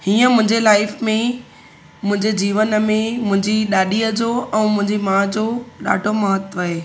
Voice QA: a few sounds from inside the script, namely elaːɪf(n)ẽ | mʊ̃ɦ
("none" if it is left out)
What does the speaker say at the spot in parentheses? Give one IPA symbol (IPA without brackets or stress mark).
m